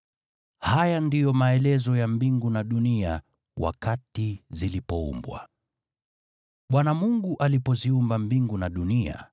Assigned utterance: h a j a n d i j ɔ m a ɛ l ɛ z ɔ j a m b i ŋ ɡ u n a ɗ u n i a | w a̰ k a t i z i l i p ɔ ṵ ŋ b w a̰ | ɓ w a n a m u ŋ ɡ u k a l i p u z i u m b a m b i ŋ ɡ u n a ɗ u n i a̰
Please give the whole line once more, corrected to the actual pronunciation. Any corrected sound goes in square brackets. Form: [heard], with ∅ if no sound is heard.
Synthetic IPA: h a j a n d i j ɔ m a ɛ l ɛ z ɔ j a m b i ŋ ɡ u n a ɗ u n i a | w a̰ k a t i z i l i p ɔ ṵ [m] b w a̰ | ɓ w a n a m u ŋ ɡ u [ʔ] a l i p [ɔ] z i u m b a m b i ŋ ɡ u n a ɗ u n i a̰